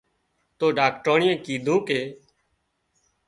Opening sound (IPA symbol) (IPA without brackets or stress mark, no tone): t̪